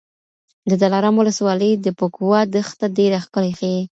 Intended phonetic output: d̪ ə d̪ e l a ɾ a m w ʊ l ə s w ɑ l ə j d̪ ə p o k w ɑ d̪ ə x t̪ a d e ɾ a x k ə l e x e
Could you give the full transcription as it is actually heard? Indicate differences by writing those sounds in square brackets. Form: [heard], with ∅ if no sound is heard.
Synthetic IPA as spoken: d̪ ə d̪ [a] l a ɾ a m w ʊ l ə s w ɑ l ə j d̪ ə p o k w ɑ d̪ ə x t̪ a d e ɾ a x k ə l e x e

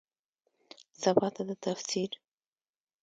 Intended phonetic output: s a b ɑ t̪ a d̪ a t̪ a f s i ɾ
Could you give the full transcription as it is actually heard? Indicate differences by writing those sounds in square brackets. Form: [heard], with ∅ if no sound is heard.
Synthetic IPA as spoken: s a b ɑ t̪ a d̪ [ə] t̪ a f s i ɾ

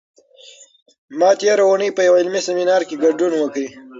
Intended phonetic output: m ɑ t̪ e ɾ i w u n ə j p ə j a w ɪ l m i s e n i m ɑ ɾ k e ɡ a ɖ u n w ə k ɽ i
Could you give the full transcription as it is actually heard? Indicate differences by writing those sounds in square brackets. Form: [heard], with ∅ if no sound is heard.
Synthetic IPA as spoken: m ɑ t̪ e ɾ [a] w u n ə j p ə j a w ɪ l m i s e [m] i [n] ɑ ɾ k e ɡ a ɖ u n w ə k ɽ i

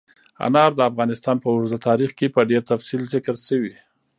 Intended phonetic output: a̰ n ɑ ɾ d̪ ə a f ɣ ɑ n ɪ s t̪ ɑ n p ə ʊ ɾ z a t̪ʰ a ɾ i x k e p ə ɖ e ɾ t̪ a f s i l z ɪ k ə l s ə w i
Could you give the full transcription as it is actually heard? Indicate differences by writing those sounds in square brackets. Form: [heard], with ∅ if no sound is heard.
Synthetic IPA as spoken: a̰ n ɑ ɾ d̪ ə a f ɣ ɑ n ɪ s t̪ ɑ n p ə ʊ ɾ z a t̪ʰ [ɑ] ɾ i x k e p ə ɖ e ɾ t̪ a f s i l z ɪ k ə [ɾ] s ə w i

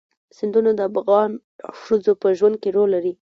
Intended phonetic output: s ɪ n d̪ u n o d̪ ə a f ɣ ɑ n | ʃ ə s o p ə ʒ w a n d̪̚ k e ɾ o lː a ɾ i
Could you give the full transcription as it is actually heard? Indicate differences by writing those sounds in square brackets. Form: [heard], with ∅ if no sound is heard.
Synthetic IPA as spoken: s ɪ n d̪ u n o d̪ ə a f ɣ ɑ n | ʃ ə [z] o p ə ʒ w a n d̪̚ k e ɾ o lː a ɾ i

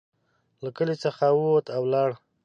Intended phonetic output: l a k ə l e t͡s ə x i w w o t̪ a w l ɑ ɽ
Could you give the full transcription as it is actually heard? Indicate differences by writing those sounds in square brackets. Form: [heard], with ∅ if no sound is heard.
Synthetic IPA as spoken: l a k ə l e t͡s ə x [a] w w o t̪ a w l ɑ ɽ

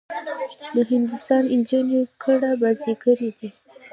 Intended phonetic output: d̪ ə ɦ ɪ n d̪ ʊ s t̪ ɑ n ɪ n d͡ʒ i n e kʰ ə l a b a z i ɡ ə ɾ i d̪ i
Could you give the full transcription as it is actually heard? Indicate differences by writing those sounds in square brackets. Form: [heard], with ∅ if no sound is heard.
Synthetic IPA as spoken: d̪ ə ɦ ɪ n d̪ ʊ s t̪ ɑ n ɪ n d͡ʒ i n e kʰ ə [ɽ] a b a z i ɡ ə ɾ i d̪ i

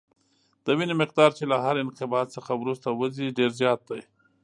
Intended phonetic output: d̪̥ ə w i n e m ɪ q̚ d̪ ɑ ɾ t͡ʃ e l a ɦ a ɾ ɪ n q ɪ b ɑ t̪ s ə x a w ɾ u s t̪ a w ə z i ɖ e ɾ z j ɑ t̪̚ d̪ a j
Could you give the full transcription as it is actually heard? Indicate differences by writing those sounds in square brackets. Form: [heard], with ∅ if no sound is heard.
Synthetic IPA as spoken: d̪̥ ə w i n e m ɪ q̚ d̪ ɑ ɾ t͡ʃ e l a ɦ a ɾ ɪ n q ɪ b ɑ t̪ s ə x a w ɾ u s t̪ a w ə z i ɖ e ɾ z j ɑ t̪̚ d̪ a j

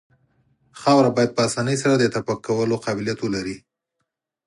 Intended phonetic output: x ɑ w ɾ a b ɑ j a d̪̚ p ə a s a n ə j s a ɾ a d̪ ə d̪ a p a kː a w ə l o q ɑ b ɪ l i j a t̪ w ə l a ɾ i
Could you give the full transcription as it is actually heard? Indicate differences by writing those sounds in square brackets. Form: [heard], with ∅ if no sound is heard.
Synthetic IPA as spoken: x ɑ w ɾ a b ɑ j a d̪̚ p ə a s [ɑ] n ə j s a ɾ a d̪ ə [t̪] a p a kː a w ə l o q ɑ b ɪ l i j a t̪ w ə l a ɾ i

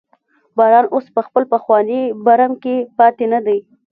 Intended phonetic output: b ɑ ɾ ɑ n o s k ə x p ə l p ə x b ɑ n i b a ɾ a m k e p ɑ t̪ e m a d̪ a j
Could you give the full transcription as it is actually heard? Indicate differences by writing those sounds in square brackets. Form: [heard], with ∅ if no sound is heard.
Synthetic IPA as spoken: b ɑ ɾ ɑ n o s [p] ə x p ə l p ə x [w] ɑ n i b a ɾ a m k e p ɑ t̪ e [n] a d̪ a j

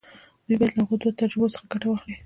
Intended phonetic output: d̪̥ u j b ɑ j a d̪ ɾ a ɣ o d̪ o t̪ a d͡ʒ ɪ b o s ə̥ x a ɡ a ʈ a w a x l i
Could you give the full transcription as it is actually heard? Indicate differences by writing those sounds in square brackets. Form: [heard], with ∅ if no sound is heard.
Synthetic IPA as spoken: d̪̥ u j b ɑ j a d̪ [l] a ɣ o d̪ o t̪ a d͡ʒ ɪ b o s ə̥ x a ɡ a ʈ a w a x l i

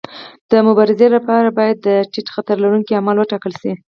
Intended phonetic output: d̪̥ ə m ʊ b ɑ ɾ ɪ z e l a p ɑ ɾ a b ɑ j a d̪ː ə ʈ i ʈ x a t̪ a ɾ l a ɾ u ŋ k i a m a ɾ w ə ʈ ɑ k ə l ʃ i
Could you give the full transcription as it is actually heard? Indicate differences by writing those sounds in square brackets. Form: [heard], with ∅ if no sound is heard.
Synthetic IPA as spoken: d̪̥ ə m ʊ b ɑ ɾ ɪ z e l a p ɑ ɾ a b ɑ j a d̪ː ə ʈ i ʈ x a t̪ a ɾ l a ɾ u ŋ k i a m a [l] w ə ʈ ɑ k ə l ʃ i

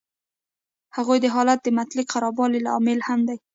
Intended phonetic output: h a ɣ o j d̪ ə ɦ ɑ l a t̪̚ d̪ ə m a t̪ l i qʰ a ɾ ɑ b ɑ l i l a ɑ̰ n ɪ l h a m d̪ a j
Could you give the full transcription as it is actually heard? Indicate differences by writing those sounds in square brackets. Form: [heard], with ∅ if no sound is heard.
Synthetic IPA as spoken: h a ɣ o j d̪ ə ɦ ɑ l a t̪̚ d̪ ə m a t̪ l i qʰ a ɾ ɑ b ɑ l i l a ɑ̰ [m] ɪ l h a m d̪ a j

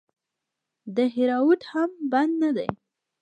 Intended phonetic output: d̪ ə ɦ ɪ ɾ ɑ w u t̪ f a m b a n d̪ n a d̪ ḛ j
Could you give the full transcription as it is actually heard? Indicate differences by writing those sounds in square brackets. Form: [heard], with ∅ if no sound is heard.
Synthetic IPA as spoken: d̪ ə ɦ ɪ ɾ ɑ w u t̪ [h] a m b a n d̪ n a d̪ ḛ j

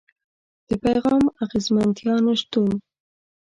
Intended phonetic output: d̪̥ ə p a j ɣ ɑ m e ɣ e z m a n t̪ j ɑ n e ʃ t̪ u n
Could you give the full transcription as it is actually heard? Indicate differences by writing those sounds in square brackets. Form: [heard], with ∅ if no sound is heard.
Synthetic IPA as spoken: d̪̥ ə p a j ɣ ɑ m [a] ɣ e z m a n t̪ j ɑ n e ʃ t̪ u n

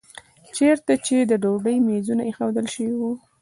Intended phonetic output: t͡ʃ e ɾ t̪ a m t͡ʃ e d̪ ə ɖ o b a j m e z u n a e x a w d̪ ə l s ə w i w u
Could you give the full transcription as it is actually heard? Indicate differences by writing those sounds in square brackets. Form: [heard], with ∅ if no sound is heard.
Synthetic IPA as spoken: t͡ʃ e ɾ t̪ a [∅] t͡ʃ e d̪ ə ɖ o b [ə] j m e z u n a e x a w d̪ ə l [ʃ] ə w i w u

